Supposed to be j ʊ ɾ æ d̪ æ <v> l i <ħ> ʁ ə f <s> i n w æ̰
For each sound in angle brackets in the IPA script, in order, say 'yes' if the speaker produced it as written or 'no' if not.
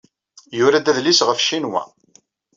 no, no, no

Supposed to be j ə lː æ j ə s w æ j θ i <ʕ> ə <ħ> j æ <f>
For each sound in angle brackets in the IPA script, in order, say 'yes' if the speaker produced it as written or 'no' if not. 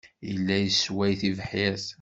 no, yes, no

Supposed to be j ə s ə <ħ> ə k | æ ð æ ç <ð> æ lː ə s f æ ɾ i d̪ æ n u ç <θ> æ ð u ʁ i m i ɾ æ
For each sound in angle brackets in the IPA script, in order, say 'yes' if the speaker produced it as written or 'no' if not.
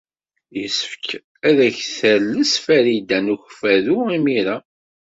no, no, no

